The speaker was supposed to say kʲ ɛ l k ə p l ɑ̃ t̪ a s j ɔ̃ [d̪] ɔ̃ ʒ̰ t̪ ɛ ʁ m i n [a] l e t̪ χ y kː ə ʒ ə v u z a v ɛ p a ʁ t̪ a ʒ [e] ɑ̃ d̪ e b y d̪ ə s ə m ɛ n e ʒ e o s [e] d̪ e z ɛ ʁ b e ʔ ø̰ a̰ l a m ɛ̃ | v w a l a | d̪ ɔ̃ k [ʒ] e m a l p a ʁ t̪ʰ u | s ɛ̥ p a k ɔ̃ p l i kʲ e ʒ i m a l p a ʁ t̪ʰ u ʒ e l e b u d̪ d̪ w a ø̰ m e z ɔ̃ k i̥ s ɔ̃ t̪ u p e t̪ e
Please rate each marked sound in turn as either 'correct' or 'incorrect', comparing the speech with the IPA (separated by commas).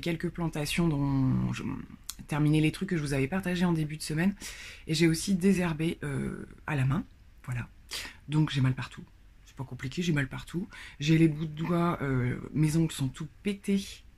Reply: correct, incorrect, correct, incorrect, correct